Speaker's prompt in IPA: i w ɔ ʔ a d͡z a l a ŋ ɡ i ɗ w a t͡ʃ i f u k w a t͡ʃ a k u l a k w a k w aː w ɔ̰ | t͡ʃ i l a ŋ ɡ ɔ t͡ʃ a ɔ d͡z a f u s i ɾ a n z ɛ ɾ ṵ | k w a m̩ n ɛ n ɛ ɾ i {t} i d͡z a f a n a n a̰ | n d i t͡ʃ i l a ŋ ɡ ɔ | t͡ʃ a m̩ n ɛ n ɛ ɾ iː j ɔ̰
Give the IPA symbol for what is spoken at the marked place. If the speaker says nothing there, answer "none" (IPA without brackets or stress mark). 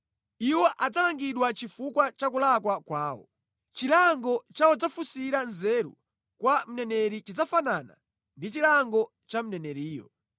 t͡ʃ